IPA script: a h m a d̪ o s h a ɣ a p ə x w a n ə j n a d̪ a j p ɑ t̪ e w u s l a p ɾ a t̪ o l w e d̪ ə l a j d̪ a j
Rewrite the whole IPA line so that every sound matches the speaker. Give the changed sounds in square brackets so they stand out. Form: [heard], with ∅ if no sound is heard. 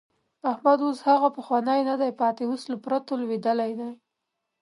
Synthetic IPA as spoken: a h m a d̪ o s h a ɣ a p ə x w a n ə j n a d̪ a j p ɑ t̪ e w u s l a p ɾ a t̪ o l w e d̪ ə l a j d̪ a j